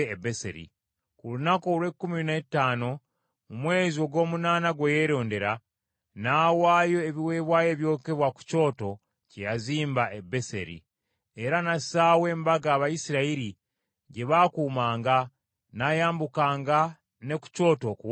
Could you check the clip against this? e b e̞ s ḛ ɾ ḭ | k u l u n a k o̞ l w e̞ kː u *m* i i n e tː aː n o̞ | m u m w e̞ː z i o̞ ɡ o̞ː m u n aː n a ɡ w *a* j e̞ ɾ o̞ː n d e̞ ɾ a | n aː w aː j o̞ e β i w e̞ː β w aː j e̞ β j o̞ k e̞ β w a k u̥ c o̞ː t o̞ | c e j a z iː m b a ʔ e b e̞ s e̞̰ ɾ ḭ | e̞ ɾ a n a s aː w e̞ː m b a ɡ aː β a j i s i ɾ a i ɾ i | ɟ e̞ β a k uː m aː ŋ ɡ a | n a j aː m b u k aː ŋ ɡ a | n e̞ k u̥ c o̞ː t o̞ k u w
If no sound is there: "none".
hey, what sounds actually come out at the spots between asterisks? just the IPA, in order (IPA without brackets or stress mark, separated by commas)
m, e